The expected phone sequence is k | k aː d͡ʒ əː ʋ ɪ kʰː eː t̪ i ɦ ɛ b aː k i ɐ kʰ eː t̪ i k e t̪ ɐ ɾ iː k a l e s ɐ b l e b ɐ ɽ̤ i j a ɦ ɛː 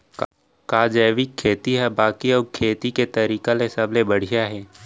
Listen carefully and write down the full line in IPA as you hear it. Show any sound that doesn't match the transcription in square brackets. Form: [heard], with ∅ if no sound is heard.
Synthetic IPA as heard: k | k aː d͡ʒ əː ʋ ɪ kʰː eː t̪ i ɦ ɛ b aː k i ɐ kʰ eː t̪ i k e t̪ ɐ ɾ iː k a l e s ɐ b l e b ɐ ɽ̤ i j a ɦ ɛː